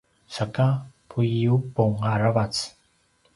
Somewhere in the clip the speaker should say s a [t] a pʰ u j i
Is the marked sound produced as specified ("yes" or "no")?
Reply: no